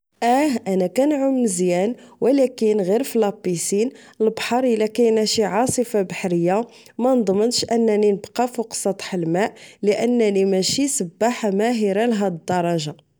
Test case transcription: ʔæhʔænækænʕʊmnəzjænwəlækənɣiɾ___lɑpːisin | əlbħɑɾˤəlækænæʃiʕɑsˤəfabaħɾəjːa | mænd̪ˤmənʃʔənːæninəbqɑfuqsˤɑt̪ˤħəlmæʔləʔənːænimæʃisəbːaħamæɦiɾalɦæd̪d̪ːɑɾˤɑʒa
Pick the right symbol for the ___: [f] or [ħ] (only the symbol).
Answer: f